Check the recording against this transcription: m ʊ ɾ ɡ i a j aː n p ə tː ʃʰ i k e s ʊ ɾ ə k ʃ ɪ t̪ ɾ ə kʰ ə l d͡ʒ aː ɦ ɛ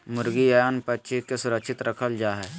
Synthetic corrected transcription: m ʊ ɾ ɡ i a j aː n p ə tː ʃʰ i k e s ʊ ɾ ə k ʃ ɪ t̪ ɾ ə kʰ ə l d͡ʒ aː ɦ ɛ